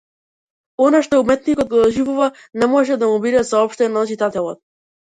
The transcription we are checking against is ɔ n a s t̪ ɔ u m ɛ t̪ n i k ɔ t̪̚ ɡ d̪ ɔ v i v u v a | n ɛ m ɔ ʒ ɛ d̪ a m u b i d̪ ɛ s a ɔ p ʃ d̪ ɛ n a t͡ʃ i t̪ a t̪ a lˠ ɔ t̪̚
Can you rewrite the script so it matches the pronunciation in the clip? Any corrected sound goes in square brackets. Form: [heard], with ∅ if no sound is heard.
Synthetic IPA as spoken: ɔ n a [ʃ] t̪ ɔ u m ɛ t̪ n i k ɔ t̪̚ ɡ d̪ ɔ [ʒ] i v u v a | n ɛ m ɔ ʒ ɛ d̪ a m u b i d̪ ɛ s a ɔ p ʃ [t̪] ɛ n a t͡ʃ i t̪ a t̪ [ɛ] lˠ ɔ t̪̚